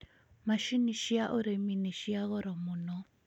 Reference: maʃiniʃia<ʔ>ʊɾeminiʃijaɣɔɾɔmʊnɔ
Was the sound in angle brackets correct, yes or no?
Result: yes